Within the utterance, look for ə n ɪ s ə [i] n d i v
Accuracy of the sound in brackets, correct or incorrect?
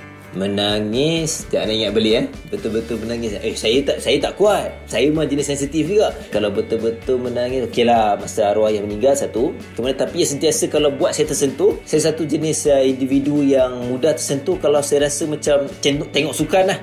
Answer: correct